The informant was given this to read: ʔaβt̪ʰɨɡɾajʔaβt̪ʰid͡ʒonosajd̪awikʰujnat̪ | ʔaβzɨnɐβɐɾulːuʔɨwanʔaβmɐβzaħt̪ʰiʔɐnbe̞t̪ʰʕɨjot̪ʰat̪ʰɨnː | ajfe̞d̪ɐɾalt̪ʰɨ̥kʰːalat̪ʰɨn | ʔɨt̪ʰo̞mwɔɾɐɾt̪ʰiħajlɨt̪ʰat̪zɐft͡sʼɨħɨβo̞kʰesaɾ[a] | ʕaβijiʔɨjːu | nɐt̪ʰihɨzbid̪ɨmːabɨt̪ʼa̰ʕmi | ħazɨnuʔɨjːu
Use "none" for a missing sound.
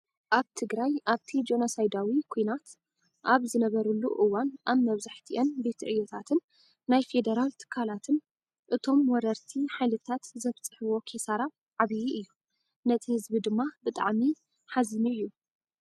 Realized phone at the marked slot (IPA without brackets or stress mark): a